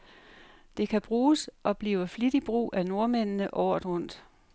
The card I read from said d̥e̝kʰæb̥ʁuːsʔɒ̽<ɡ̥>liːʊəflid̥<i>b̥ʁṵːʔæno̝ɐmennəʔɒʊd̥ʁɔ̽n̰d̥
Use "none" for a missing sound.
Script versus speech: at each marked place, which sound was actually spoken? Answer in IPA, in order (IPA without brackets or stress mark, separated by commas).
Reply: b̥, i